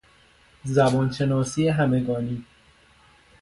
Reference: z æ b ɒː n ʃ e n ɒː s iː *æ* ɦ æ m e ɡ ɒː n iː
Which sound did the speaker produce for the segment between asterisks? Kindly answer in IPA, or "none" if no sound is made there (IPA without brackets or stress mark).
e